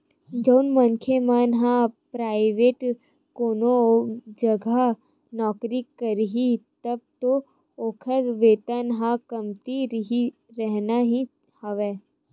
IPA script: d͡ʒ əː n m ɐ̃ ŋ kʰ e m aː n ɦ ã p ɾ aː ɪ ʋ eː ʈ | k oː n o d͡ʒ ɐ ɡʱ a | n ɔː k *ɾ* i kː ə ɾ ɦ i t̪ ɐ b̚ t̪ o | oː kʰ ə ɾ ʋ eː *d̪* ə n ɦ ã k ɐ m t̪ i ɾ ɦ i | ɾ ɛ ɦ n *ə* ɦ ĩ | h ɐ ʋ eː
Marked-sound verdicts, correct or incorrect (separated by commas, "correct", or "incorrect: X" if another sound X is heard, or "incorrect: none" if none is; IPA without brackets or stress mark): correct, incorrect: t̪, incorrect: a